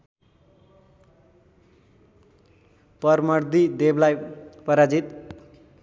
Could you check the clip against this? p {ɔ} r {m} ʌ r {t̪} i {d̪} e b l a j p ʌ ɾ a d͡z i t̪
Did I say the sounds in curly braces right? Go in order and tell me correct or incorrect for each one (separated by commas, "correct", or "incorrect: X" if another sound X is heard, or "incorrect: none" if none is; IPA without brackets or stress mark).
incorrect: ʌ, correct, incorrect: d̪, correct